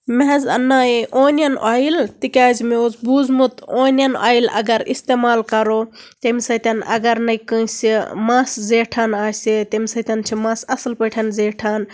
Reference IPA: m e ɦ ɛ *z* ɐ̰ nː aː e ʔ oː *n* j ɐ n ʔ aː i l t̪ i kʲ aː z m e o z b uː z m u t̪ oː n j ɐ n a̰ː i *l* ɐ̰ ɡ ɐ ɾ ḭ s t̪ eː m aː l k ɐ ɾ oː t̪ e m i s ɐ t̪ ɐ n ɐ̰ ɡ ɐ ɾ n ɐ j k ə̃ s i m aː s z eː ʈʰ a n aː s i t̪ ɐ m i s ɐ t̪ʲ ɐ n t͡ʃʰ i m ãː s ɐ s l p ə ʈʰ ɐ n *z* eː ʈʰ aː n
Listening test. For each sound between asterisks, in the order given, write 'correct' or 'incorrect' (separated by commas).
correct, correct, correct, correct